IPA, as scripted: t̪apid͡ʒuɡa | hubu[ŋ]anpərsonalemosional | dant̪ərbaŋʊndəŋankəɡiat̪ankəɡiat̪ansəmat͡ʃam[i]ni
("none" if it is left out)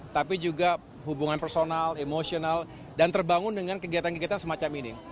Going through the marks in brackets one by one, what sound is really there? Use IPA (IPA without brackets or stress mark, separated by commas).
ŋ, i